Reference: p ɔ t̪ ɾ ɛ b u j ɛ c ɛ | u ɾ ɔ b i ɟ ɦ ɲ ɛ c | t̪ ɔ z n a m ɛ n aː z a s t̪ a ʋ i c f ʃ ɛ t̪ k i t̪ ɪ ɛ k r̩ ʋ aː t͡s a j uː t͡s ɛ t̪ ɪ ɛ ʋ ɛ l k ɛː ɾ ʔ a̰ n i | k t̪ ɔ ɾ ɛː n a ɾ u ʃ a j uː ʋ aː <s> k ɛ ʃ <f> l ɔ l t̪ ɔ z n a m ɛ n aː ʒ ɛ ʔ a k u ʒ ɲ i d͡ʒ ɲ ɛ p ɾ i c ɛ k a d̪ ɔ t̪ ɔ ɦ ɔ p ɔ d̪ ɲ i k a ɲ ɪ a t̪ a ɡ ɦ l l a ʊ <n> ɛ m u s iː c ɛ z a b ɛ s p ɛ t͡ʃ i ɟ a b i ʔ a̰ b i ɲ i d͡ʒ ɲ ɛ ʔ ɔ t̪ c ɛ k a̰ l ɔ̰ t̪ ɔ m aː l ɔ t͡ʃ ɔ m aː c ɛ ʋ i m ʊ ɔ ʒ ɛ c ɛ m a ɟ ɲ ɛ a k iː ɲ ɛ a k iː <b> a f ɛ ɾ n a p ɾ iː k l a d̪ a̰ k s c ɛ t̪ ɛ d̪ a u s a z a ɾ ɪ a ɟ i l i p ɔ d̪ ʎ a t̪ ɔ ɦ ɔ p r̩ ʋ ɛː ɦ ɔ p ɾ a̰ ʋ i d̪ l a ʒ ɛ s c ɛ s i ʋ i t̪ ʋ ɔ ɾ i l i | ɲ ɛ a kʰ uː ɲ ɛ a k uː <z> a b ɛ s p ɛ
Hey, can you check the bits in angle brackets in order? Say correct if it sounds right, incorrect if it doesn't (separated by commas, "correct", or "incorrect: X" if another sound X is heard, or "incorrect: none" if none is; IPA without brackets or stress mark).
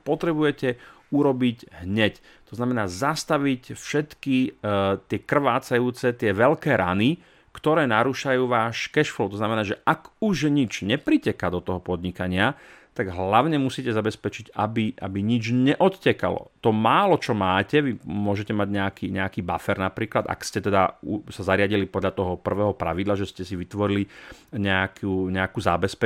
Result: incorrect: ʃ, correct, incorrect: ɲ, correct, correct